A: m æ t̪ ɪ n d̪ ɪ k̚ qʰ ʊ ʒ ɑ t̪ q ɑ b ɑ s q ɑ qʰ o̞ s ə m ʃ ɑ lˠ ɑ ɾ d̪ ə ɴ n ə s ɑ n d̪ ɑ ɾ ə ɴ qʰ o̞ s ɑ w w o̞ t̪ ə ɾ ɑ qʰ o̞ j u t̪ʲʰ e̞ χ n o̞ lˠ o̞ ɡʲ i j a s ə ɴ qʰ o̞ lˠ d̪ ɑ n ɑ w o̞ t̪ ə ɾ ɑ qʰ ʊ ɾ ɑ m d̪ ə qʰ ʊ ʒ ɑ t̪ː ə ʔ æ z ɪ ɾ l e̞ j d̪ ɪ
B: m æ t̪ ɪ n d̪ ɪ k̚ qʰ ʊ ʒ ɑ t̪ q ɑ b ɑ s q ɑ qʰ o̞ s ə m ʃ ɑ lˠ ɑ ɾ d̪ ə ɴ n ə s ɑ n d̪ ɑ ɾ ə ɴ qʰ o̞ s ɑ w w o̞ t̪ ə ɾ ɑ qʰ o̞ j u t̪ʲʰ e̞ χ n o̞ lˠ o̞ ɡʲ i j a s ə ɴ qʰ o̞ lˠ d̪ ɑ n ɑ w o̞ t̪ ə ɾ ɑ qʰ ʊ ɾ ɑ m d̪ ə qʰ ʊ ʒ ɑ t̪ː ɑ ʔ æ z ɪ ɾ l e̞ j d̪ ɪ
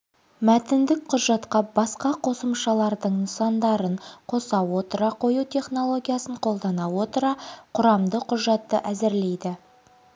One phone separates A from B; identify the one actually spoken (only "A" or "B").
A